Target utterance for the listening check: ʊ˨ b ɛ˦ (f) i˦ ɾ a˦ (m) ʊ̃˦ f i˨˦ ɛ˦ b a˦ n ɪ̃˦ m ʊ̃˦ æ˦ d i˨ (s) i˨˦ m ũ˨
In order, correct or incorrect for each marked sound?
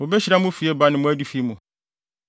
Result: incorrect: ɕ, correct, incorrect: f

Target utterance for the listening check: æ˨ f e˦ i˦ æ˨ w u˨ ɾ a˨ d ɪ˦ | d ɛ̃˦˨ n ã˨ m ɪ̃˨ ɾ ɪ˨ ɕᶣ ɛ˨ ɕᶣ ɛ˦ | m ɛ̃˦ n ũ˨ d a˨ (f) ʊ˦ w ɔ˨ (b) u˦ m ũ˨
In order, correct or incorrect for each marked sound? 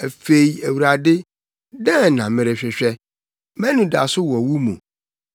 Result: incorrect: s, incorrect: w

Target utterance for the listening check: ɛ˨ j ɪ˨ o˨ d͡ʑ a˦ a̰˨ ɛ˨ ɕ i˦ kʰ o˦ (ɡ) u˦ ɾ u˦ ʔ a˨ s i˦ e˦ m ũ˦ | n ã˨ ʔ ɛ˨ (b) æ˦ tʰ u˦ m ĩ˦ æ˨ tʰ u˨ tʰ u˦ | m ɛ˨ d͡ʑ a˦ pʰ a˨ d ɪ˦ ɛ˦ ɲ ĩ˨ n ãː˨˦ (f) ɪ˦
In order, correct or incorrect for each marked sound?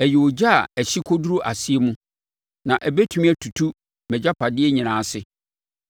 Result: incorrect: d, correct, incorrect: s

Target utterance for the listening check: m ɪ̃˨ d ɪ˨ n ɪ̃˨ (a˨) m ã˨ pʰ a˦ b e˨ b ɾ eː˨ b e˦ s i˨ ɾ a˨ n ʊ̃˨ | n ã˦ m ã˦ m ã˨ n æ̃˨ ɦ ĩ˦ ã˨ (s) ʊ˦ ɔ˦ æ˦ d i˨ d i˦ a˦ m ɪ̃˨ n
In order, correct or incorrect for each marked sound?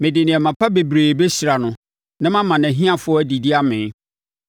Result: incorrect: ɛ˨, incorrect: f

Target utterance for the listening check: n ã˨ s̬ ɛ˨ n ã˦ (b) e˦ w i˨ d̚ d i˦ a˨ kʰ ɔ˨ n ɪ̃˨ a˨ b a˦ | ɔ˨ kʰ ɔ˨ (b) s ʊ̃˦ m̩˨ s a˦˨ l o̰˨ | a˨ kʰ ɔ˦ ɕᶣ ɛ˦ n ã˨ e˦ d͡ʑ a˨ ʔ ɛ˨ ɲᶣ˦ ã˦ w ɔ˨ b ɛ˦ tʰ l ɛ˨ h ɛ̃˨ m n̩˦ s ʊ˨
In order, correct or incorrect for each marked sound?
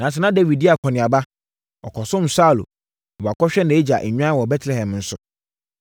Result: incorrect: d, incorrect: none

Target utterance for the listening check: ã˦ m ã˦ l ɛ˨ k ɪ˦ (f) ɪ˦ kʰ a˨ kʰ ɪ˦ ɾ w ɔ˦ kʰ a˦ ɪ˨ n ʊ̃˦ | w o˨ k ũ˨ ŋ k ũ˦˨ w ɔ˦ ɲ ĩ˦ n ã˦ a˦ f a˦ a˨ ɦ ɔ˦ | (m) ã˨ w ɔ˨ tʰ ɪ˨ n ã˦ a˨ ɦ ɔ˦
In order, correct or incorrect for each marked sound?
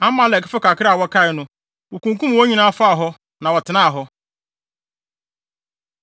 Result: correct, incorrect: n

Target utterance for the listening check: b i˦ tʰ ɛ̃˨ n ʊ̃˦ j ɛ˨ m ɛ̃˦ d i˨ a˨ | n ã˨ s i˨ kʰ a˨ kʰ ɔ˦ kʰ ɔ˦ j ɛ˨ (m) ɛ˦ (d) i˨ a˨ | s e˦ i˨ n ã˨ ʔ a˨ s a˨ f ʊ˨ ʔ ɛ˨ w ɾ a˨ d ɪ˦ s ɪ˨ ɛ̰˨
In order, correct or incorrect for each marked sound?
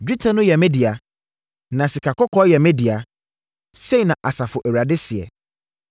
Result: correct, correct

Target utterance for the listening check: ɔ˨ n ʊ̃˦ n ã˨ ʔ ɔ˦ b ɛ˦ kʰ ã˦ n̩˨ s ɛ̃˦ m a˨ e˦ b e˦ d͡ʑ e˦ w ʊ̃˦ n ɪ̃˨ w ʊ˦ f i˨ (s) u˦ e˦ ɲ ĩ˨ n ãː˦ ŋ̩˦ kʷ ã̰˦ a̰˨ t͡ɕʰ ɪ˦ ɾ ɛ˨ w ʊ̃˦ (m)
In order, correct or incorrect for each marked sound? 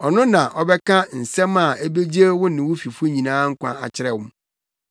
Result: incorrect: f, correct

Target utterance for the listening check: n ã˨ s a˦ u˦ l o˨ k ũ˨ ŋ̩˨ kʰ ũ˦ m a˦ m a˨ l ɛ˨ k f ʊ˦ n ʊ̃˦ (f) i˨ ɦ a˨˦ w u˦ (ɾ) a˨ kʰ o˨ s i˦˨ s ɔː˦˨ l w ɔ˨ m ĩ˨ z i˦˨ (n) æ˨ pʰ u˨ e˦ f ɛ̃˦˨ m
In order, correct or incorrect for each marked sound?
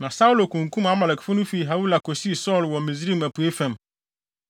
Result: correct, incorrect: l, incorrect: m

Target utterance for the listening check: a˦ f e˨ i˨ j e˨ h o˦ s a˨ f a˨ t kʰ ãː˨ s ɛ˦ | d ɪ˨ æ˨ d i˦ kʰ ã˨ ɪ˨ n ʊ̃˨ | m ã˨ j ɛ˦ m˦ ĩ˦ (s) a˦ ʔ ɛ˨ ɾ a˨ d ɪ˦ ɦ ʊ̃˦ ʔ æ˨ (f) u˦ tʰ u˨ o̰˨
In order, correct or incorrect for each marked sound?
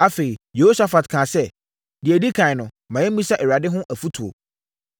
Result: correct, correct

